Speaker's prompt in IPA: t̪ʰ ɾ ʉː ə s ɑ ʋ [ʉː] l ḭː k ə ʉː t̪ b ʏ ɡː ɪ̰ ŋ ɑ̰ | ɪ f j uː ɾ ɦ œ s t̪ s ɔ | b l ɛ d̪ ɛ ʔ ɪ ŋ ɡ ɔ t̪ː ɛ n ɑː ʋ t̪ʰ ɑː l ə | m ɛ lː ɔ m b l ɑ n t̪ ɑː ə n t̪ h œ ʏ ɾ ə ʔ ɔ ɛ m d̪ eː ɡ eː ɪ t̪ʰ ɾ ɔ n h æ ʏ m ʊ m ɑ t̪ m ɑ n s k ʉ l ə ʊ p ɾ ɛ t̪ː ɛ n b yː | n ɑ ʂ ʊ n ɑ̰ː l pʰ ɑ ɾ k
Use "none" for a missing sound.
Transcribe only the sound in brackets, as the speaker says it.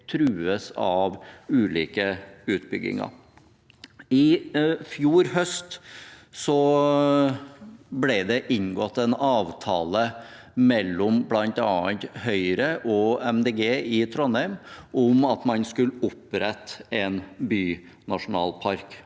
ʉː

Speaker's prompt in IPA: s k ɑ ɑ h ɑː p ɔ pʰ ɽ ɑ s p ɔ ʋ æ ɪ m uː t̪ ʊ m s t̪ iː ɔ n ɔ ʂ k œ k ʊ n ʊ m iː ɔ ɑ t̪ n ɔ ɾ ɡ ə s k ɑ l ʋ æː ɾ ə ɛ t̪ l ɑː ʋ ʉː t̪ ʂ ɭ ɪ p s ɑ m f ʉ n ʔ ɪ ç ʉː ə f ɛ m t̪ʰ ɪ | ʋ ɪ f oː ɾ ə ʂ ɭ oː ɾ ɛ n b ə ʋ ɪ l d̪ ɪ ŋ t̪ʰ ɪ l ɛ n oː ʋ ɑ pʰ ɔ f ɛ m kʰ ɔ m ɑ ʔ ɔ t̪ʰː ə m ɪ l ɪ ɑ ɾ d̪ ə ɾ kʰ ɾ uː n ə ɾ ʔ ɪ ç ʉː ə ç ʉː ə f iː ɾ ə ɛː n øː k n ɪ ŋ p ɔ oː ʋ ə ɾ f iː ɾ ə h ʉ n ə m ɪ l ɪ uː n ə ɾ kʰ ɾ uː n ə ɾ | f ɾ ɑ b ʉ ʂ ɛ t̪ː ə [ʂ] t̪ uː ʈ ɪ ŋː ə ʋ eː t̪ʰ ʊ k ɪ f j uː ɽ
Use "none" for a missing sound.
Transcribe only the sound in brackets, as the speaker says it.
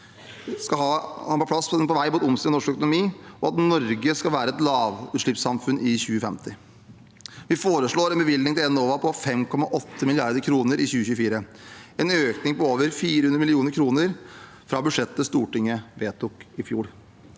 s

